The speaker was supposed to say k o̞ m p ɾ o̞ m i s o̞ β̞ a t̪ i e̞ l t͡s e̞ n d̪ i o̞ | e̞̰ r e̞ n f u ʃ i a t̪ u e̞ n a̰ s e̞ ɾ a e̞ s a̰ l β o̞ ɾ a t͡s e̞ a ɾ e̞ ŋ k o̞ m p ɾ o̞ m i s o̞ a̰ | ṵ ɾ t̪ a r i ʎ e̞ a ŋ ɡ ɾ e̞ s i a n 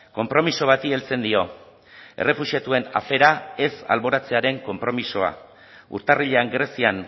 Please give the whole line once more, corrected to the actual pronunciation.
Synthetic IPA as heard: k o̞ m p ɾ o̞ m i s o̞ β̞ a t̪ i e̞ l t͡s e̞ n d̪ i o̞ | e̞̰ r e̞ f u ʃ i a t̪ u e̞ n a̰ f e̞ ɾ a e̞ s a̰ l β o̞ ɾ a t͡s e̞ a ɾ e̞ ŋ k o̞ m p ɾ o̞ m i s o̞ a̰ | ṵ ɾ t̪ a r i ʎ e̞ a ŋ ɡ ɾ e̞ s i a n